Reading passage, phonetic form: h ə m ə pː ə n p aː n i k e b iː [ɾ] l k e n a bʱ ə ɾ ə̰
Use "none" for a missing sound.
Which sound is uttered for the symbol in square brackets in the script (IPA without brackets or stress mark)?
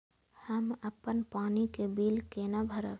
none